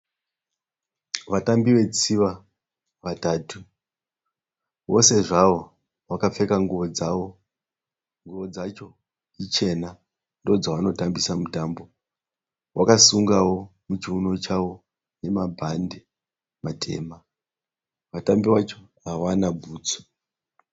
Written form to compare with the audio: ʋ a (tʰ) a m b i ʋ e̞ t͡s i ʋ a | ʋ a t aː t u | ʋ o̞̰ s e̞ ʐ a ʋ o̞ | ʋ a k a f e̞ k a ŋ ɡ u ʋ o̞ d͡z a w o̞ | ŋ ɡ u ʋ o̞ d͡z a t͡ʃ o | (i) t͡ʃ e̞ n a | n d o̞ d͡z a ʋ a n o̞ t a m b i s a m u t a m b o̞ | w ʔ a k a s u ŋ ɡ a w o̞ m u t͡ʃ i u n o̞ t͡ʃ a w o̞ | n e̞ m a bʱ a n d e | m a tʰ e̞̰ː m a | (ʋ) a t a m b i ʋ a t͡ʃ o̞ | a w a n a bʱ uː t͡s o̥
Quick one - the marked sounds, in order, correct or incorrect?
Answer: incorrect: t, correct, correct

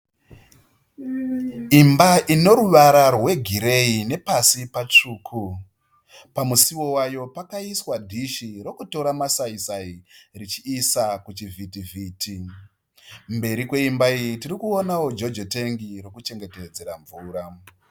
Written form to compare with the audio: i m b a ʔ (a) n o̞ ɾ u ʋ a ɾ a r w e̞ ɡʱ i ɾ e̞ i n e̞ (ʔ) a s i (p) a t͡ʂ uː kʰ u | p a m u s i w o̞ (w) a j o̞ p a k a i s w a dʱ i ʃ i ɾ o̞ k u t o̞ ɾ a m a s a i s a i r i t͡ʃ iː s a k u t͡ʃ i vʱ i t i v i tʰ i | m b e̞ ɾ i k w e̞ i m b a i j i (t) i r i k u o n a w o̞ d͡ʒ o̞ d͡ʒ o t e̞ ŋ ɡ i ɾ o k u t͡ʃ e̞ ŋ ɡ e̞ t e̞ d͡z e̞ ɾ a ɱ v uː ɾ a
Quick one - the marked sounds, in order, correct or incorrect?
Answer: incorrect: i, incorrect: p, correct, correct, correct

